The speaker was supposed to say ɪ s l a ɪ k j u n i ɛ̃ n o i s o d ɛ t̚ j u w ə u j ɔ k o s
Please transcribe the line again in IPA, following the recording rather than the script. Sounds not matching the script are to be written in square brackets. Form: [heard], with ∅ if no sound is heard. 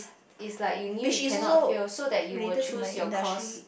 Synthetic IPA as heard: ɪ s l a ɪ k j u n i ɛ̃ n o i s o d ɛ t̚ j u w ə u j ɔ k [ɔ] s